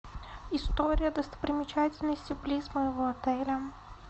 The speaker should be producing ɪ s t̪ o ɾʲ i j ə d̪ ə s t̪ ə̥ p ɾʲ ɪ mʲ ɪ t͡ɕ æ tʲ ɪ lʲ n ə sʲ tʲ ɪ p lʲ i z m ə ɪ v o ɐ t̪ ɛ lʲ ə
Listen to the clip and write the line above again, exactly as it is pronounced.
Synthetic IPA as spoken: ɪ s t̪ o ɾʲ ɪ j ə d̪ ə s t̪ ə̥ p ɾʲ ɪ mʲ ɪ t͡ɕ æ tʲ ɪ lʲ n ə sʲ tʲ ɪ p lʲ i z m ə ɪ v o ɐ t̪ ɛ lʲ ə